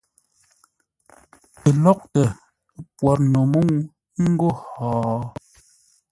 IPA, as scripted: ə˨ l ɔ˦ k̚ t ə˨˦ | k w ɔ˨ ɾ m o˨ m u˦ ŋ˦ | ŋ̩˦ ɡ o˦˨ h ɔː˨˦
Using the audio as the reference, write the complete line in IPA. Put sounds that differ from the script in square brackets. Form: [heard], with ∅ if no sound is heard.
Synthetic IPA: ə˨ l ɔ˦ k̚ t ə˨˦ | [p] w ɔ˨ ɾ [n] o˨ m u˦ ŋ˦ | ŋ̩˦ ɡ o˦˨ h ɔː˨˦